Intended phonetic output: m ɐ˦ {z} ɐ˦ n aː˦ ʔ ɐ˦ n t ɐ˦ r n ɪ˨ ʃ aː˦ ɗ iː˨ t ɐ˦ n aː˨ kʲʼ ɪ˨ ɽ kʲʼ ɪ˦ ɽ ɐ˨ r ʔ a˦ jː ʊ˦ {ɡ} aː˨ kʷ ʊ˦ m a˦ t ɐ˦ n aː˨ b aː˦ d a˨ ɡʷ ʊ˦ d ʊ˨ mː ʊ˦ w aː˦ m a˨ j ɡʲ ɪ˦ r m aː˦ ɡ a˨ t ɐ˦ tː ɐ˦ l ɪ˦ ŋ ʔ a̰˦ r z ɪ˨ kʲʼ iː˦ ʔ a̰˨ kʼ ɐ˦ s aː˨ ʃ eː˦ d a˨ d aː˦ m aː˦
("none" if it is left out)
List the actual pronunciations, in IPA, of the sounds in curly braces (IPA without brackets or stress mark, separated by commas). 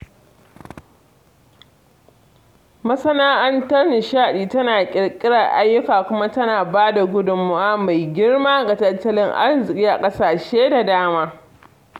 s, k